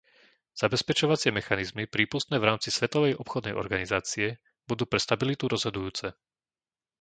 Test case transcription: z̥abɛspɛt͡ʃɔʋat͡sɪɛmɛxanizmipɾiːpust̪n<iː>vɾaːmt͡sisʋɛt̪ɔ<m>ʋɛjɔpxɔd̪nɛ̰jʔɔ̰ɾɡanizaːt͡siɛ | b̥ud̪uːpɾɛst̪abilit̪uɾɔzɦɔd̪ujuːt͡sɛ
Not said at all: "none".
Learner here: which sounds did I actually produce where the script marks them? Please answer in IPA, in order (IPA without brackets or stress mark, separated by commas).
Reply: ɛː, none